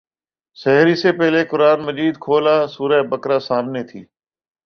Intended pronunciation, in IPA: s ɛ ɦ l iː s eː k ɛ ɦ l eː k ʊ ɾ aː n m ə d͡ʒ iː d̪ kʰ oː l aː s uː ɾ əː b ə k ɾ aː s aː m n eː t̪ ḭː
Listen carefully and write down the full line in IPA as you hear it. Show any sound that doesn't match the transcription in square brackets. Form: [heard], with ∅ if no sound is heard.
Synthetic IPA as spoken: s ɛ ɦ [ɾ] iː s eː [p] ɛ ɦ l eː k ʊ ɾ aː n m ə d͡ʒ iː d̪ kʰ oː l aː s uː ɾ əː b ə k ɾ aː s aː m n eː [t̪ʰ] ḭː